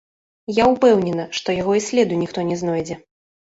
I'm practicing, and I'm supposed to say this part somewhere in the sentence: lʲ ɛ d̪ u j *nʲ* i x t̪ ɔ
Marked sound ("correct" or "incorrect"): correct